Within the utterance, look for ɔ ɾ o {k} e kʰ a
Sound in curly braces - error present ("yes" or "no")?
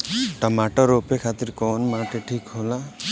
yes